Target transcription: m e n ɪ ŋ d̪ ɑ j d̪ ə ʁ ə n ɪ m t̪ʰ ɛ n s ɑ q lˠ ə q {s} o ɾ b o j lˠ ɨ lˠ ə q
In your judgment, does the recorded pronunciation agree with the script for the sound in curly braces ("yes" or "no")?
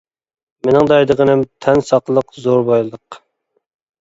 no